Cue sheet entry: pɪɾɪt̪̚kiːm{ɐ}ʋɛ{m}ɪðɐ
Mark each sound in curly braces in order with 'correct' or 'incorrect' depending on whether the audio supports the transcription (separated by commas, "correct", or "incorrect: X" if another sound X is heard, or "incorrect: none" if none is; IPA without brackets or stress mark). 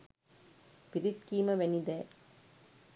correct, incorrect: n